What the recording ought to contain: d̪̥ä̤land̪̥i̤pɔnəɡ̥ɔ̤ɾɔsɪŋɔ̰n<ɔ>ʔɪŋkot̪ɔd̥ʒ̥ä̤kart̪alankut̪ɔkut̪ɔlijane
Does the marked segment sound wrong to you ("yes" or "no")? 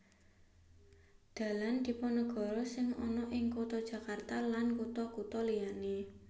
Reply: no